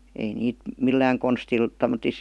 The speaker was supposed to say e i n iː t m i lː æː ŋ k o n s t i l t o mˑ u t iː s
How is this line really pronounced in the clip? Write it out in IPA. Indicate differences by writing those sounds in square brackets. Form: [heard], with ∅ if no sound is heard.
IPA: e i n iː t m i lː æː ŋ k o n s t i l t o mˑ [o] t [i] s